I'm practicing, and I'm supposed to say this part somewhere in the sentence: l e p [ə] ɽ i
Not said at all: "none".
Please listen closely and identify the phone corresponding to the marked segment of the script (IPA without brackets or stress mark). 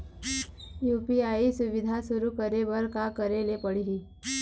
ə